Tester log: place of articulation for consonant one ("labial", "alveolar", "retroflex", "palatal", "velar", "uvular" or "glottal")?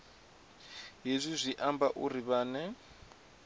glottal